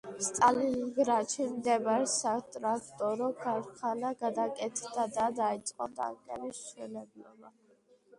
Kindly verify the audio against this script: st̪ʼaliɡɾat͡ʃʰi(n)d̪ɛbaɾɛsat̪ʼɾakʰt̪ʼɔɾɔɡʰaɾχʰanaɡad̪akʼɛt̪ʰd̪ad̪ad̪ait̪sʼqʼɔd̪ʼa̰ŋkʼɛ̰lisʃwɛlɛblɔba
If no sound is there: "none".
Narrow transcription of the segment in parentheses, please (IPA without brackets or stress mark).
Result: m